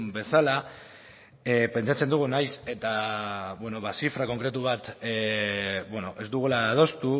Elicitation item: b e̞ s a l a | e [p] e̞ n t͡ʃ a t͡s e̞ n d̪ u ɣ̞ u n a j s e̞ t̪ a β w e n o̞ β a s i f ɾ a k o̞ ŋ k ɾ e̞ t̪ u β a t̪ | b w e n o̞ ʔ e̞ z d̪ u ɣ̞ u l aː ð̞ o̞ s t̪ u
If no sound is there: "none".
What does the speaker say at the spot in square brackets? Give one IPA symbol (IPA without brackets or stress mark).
p